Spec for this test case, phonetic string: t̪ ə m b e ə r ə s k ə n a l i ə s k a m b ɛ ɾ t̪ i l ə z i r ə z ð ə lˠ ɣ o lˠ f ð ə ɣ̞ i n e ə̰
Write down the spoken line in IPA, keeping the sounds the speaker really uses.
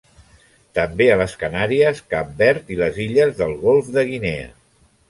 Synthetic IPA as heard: t̪ ə m b e ə l ə s k ə n a ɾ i ə s k a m b ɛ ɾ t̪ i l ə z i ʎ ə z ð ə lˠ ɣ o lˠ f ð ə ɣ̞ i n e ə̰